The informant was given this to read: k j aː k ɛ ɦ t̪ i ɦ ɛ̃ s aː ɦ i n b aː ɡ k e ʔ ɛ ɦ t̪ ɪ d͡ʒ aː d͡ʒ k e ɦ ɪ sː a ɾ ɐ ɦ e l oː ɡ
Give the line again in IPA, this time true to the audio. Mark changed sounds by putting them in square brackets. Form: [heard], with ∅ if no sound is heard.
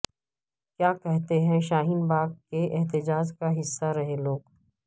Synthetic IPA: k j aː k ɛ ɦ t̪ [e] ɦ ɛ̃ [ʃ] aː ɦ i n b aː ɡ k e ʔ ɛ ɦ t̪ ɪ d͡ʒ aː d͡ʒ k [a] ɦ ɪ sː a ɾ ɐ ɦ e l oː ɡ